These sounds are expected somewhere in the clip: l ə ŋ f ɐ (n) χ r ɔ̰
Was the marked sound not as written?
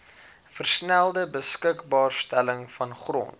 no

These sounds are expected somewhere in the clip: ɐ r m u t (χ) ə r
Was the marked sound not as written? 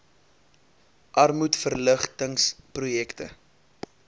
yes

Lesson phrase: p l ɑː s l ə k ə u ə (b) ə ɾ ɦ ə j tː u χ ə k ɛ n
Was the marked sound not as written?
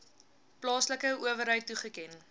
yes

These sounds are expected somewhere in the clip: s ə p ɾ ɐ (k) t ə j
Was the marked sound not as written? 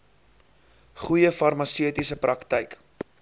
no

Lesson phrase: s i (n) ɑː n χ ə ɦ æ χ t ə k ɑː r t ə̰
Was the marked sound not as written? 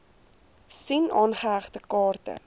no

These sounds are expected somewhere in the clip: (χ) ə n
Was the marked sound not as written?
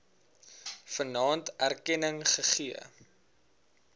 yes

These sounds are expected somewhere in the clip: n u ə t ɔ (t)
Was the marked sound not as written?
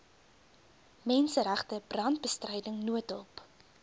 yes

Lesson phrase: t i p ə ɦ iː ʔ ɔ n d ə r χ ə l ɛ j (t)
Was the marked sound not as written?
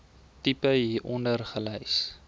yes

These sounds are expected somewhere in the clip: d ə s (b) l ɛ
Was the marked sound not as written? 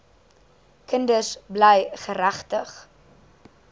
no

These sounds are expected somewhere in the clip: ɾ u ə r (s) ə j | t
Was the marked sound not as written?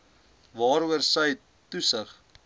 no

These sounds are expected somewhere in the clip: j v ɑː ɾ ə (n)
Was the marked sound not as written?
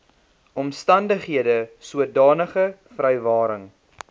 yes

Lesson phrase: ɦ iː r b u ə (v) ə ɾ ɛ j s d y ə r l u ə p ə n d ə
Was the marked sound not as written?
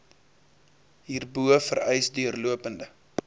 yes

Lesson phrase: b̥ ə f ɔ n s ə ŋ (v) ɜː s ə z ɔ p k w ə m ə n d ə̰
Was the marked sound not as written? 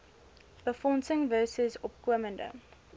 no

